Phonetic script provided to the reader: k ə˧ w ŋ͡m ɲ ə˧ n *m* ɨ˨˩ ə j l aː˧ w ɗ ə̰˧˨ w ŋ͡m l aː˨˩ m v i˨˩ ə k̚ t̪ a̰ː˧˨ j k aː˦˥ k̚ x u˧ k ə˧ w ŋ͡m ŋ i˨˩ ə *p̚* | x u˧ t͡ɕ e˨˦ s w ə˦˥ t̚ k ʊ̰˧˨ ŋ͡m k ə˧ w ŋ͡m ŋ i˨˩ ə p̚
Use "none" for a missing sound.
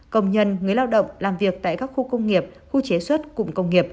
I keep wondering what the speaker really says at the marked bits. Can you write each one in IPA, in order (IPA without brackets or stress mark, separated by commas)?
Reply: ŋ, p̚